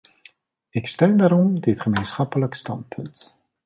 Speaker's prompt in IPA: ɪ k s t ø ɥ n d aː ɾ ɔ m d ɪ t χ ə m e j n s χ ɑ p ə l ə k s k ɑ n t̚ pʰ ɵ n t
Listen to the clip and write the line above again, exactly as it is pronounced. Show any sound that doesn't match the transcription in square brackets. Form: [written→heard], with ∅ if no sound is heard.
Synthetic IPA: ɪ k s t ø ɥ n d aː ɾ ɔ m d ɪ t χ ə m e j n s χ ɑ p ə l ə k s [k→t] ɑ n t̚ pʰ ɵ n t